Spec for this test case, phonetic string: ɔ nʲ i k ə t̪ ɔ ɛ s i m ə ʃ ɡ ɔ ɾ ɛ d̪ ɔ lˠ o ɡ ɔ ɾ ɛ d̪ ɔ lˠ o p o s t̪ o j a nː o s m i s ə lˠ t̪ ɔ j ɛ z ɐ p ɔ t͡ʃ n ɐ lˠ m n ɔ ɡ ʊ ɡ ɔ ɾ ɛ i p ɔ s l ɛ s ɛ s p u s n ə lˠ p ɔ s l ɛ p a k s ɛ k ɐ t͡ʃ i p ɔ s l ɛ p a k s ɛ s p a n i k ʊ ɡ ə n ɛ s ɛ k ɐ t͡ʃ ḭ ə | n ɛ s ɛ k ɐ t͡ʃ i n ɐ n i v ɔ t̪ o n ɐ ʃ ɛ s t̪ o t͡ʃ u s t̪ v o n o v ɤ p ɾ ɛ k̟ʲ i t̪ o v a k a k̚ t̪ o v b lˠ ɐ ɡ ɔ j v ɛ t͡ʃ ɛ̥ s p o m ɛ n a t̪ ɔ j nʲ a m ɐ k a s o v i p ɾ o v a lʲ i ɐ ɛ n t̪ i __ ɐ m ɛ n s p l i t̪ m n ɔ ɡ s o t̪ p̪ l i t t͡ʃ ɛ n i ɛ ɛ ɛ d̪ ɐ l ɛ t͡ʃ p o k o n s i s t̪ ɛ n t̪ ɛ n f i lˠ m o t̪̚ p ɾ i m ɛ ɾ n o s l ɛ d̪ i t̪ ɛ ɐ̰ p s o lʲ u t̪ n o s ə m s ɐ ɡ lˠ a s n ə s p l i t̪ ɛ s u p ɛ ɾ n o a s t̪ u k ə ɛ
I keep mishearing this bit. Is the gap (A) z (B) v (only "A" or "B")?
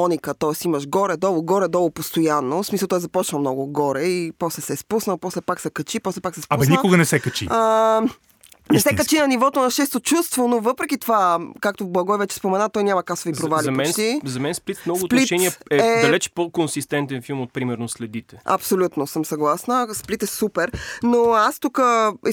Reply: A